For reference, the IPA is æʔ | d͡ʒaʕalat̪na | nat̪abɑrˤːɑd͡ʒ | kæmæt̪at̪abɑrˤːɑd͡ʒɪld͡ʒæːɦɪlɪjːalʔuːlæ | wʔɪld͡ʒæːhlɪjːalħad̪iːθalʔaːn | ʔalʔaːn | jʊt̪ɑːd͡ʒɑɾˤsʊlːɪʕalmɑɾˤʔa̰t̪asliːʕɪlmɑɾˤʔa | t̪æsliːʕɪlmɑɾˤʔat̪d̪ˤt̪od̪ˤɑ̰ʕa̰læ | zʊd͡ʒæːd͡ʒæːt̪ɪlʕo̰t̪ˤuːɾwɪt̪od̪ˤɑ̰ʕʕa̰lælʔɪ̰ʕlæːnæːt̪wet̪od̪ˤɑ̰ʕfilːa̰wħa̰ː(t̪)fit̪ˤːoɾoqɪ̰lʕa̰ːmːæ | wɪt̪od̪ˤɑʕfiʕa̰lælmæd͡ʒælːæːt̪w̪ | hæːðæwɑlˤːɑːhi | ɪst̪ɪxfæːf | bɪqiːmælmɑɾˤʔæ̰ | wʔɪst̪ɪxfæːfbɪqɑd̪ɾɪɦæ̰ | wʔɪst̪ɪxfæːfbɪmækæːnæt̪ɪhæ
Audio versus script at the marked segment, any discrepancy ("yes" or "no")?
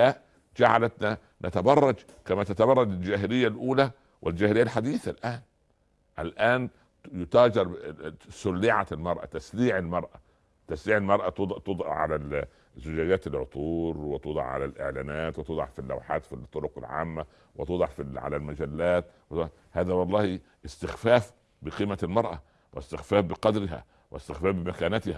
no